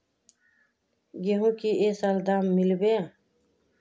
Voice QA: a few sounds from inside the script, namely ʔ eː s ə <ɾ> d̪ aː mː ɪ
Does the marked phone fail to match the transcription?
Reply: yes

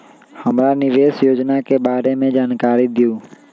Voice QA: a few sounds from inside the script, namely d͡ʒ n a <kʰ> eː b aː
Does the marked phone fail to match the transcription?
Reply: yes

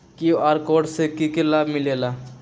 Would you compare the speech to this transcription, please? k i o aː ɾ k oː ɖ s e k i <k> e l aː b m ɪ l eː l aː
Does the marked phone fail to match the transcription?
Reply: no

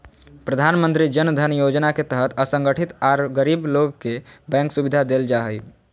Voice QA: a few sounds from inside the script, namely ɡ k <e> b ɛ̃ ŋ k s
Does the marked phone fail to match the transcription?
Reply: no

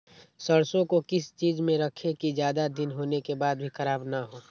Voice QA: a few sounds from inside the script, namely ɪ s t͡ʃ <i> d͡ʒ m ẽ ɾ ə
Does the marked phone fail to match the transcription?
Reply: yes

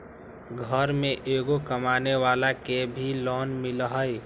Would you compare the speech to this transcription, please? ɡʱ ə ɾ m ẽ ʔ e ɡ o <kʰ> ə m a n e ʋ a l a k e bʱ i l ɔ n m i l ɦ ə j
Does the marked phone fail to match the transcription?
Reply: yes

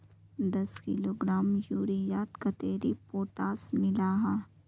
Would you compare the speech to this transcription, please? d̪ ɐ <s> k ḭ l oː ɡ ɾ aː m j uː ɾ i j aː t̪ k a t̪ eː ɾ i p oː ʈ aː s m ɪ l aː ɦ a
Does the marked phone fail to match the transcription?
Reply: no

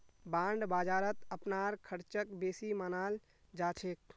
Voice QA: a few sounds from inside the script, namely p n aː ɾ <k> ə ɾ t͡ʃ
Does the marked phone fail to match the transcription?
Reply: yes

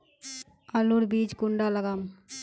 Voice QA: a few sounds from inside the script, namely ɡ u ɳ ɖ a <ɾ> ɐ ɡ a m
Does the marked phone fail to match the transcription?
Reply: yes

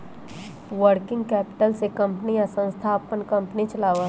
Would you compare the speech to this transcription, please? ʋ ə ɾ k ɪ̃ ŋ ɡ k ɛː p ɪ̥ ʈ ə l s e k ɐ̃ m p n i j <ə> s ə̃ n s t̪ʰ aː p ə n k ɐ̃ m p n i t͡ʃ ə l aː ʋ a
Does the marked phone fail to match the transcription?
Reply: yes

